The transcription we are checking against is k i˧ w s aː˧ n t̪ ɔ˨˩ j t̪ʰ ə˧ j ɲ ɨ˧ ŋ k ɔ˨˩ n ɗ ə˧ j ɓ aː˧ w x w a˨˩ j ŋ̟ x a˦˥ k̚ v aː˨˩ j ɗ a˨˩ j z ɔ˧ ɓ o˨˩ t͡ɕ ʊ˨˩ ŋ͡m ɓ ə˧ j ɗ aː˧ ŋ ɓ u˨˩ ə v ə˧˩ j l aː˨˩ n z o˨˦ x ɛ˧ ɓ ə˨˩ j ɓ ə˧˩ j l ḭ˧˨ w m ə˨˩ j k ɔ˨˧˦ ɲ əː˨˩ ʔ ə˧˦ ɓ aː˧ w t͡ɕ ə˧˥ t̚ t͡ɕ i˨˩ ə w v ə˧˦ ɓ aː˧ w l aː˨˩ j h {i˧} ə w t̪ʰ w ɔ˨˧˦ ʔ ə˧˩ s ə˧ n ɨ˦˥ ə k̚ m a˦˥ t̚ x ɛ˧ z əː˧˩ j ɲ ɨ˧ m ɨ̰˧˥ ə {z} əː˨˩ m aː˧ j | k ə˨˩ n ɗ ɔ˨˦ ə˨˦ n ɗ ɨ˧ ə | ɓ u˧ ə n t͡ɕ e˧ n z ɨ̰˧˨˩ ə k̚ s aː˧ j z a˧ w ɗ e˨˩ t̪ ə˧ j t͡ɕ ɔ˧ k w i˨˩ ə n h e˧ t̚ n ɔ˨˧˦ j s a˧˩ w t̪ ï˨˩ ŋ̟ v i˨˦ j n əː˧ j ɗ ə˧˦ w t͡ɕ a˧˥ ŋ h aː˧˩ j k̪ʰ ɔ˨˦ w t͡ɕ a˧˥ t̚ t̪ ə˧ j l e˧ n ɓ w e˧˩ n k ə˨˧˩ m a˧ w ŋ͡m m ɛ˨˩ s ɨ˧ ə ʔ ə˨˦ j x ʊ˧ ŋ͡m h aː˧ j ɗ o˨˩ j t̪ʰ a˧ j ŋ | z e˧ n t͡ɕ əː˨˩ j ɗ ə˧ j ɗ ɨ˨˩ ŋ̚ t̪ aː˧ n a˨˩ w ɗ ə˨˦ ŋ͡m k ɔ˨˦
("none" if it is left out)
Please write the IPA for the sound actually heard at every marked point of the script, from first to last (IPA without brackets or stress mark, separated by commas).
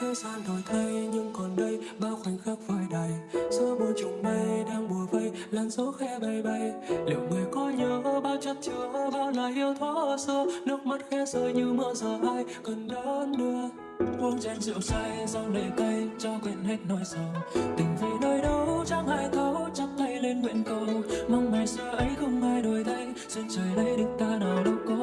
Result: i˧, z